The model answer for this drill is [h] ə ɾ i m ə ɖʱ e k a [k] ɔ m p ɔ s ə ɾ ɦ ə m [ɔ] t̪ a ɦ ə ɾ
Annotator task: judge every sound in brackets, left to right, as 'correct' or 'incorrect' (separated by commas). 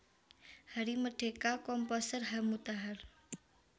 correct, correct, incorrect